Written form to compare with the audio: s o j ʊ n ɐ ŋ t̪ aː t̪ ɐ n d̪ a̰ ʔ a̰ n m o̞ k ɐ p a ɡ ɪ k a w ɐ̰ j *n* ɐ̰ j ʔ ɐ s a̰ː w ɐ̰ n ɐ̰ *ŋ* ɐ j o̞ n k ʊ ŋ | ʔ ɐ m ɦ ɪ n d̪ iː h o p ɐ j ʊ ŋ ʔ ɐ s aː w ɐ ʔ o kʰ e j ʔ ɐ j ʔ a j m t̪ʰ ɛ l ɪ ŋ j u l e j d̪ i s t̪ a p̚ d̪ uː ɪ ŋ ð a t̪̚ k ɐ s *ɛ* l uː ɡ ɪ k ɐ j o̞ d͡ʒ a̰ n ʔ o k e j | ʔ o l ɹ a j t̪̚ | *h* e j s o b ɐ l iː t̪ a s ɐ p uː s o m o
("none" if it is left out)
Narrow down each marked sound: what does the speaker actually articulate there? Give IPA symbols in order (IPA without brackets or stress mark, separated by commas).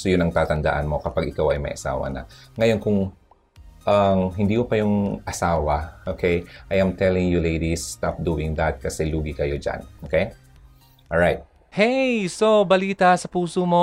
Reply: m, ŋ, ɛ, h